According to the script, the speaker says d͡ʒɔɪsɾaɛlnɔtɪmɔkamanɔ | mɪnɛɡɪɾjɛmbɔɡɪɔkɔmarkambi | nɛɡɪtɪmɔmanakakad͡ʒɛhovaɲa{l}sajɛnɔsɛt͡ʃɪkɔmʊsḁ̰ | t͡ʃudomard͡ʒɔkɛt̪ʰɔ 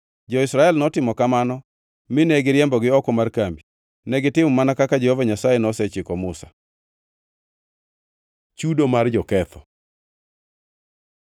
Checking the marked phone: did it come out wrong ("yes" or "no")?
yes